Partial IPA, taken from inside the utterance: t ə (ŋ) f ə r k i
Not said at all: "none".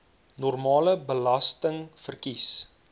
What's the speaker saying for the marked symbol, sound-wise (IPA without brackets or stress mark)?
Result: ŋ